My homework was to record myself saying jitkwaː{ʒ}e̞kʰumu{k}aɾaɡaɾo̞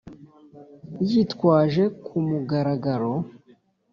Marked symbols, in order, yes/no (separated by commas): yes, no